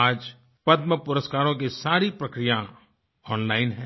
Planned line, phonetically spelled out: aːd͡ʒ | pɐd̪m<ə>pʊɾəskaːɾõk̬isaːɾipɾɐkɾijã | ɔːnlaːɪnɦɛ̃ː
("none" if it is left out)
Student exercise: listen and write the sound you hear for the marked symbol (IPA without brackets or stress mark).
ə